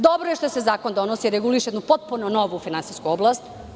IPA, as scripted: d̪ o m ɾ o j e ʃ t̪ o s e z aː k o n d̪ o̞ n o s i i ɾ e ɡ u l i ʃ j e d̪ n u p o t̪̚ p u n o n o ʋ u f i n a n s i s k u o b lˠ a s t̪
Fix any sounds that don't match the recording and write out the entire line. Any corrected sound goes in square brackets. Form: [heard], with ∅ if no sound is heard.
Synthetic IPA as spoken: d̪ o [b] ɾ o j e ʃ t̪ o s e z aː k o n d̪ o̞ n o s i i ɾ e ɡ u l i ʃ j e d̪ n u p o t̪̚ p u n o n o ʋ u f i n a n s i s k u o b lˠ a s t̪